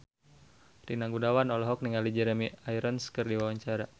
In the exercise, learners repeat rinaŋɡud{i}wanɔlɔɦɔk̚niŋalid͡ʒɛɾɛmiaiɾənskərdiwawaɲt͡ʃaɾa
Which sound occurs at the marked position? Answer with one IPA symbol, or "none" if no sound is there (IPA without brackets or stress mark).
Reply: a